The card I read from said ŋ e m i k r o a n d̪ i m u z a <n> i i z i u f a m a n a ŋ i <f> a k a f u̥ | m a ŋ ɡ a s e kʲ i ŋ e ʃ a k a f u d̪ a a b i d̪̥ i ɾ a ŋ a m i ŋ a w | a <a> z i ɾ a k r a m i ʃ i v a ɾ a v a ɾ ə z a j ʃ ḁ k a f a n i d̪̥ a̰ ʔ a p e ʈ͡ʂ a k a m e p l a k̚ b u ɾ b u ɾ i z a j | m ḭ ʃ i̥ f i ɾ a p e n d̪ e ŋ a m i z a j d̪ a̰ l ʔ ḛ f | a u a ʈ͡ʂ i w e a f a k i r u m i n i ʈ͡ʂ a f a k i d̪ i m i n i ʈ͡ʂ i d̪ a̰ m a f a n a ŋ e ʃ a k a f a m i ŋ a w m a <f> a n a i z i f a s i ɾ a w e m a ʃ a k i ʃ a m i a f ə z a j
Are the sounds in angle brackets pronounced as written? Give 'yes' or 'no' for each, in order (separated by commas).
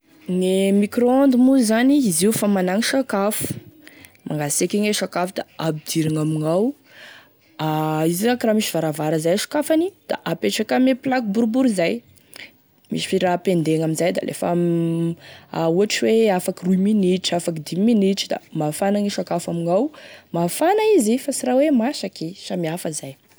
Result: yes, no, no, yes